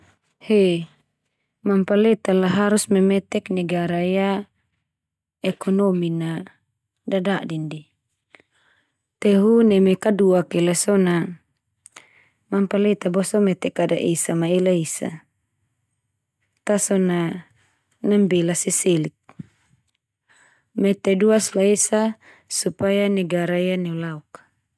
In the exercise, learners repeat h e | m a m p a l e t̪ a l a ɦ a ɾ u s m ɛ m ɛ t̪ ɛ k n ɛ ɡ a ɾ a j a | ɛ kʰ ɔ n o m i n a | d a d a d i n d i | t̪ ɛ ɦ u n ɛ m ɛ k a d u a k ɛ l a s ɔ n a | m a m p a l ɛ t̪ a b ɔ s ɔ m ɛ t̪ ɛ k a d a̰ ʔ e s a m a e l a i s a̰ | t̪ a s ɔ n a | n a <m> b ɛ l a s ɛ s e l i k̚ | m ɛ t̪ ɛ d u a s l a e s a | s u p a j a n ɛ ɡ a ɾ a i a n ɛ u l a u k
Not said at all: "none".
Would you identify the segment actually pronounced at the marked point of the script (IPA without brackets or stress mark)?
m